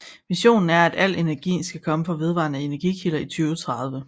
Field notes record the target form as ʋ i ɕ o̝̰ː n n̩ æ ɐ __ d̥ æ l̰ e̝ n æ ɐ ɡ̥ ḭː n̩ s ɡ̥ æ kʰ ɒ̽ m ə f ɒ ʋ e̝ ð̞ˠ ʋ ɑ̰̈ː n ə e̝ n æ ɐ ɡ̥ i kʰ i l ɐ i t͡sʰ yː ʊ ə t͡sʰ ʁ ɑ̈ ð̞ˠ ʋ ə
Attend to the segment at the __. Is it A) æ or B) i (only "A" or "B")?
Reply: A